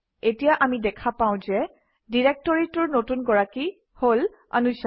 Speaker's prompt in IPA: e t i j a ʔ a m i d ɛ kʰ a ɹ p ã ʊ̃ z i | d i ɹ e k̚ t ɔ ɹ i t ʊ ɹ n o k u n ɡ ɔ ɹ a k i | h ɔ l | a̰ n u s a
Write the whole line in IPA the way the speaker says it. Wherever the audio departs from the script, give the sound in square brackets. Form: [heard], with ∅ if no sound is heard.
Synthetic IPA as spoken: e t i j a ʔ a m i d ɛ kʰ a [∅] p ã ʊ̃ z [ɛ] | d i ɹ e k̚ t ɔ ɹ i t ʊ ɹ n o [t] u n ɡ ɔ ɹ a k i | h [o] l | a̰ n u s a